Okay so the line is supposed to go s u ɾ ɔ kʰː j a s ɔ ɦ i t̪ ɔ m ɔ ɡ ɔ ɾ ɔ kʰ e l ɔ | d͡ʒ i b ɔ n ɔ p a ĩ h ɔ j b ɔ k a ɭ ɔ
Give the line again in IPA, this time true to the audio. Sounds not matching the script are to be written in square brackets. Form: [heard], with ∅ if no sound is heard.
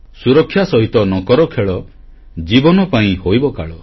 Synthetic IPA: s u ɾ ɔ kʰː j a s ɔ ɦ i t̪ ɔ [n] ɔ [k] ɔ ɾ ɔ kʰ e [ɭ] ɔ | d͡ʒ i b ɔ n ɔ p a ĩ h [o] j b ɔ k a ɭ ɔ